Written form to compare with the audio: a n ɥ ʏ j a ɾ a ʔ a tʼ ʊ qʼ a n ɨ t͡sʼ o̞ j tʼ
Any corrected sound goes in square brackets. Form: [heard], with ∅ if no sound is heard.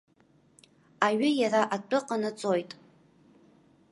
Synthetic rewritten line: a [∅] ɥ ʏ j a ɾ a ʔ a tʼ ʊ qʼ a n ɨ t͡sʼ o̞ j tʼ